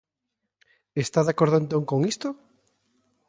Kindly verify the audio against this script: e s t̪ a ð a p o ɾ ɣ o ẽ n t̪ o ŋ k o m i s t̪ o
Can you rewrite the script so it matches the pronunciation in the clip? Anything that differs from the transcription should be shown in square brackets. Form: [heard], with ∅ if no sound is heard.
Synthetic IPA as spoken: e s t̪ a ð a [k] o ɾ [ð] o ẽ n t̪ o ŋ k o [ŋ] i s t̪ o